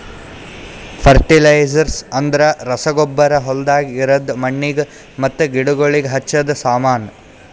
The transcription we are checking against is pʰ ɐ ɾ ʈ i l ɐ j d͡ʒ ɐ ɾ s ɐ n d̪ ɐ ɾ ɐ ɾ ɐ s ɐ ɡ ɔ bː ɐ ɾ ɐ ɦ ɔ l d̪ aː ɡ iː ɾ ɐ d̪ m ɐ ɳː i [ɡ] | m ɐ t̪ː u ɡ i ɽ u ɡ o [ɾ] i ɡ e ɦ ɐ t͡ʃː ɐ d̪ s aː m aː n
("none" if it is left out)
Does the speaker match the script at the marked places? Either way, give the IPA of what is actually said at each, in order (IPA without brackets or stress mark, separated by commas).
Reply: ɡ, ɭ